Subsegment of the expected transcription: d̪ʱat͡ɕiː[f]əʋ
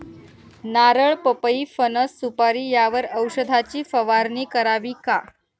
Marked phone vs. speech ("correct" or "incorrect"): correct